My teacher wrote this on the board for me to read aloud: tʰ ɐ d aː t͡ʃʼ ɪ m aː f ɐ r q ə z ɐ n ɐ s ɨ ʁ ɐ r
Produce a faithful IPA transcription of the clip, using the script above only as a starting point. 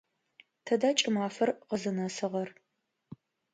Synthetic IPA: tʰ ɐ d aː t͡ʃʼ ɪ m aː f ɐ r q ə z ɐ n ɐ s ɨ ʁ ɐ r